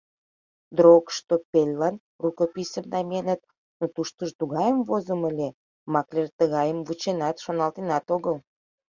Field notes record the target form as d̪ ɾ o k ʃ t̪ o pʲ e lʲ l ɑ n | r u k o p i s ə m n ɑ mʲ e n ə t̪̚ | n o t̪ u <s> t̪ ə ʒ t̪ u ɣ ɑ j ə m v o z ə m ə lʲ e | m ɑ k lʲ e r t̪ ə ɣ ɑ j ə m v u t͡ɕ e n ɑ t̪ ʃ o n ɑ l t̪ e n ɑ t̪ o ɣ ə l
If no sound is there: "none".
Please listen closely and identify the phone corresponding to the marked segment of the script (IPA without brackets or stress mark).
ʃ